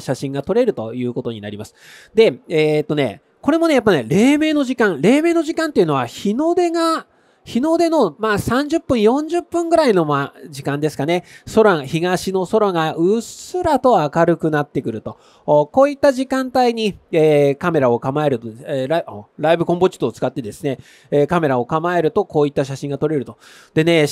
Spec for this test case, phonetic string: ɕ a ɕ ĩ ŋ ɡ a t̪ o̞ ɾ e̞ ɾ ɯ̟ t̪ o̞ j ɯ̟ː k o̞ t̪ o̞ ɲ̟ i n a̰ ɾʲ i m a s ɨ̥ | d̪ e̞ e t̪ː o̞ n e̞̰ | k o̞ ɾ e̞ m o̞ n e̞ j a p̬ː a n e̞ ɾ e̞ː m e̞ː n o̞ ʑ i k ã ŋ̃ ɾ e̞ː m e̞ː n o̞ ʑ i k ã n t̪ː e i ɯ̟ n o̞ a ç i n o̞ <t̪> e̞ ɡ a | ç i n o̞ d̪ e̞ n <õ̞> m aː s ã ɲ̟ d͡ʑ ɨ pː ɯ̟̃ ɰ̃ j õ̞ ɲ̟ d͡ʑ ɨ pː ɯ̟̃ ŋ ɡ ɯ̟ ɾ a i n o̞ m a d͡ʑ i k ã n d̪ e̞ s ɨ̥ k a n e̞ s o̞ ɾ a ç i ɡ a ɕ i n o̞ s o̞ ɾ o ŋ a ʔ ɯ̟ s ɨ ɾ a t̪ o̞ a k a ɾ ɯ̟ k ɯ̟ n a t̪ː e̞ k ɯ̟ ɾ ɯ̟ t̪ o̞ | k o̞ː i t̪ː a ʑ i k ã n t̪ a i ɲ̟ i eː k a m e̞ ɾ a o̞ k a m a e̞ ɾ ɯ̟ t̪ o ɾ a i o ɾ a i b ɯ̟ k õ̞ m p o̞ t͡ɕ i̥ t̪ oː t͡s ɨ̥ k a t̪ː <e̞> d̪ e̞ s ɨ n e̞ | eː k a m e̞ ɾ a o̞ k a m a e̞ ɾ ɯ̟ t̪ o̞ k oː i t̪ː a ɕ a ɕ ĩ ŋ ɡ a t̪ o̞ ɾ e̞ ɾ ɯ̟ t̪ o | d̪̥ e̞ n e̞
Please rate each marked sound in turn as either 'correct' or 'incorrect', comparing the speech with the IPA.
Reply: incorrect: d̪, incorrect: o̞, correct

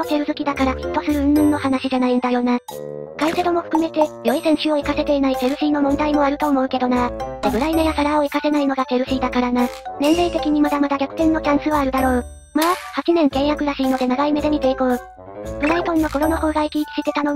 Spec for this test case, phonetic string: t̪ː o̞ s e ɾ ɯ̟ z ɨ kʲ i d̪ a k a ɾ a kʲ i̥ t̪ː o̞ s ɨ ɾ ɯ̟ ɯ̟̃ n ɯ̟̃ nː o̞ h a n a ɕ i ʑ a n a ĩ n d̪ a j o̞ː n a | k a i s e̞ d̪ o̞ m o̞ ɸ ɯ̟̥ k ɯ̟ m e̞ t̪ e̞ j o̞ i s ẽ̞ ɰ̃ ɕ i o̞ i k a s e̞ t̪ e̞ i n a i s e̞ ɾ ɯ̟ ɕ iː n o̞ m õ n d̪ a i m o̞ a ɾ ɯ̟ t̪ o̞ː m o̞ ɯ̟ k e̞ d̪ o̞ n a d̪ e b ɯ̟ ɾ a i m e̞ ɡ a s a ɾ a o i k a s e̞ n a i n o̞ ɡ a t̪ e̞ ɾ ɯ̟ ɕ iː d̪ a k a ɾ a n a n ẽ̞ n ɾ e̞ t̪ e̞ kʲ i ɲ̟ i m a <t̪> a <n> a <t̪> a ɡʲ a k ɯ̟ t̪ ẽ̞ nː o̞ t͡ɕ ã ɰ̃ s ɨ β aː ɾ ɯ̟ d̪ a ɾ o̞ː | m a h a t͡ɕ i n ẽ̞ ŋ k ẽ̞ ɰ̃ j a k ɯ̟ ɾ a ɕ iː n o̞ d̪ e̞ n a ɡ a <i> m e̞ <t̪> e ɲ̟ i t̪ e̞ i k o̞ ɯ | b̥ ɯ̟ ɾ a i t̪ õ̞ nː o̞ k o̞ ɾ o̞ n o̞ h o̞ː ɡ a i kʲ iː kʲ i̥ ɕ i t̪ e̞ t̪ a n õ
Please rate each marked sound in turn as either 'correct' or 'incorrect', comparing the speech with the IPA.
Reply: incorrect: d̪, incorrect: m, incorrect: d̪, correct, incorrect: d̪

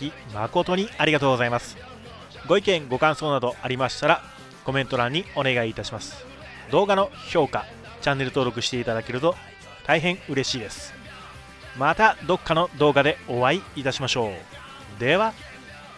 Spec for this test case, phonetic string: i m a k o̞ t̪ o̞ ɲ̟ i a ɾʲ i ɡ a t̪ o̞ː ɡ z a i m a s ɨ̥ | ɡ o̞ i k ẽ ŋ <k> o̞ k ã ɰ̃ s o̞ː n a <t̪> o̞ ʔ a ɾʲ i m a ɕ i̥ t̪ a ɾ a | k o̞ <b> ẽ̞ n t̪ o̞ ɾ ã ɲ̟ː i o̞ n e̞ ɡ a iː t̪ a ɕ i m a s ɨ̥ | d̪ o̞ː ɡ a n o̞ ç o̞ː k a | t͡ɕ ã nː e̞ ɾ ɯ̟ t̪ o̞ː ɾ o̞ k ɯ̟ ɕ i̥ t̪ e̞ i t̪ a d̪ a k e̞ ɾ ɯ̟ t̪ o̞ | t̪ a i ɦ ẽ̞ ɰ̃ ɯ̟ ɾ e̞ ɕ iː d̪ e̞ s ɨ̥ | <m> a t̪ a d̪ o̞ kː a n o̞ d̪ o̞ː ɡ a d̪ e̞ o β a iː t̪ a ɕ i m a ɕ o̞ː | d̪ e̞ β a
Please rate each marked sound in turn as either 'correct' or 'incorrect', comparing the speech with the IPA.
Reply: incorrect: ɡ, incorrect: d̪, incorrect: m, correct

